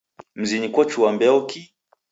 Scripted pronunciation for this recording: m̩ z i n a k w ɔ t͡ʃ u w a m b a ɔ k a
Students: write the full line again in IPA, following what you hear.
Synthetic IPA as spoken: m̩ z i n i k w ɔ t͡ʃ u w a m b ɛ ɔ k i

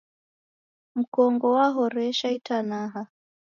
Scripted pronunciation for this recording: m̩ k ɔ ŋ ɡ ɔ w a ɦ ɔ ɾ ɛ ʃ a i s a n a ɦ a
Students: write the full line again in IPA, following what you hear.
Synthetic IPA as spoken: m̩ k ɔ ŋ ɡ ɔ w a ɦ ɔ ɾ ɛ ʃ a i t a n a ɦ a

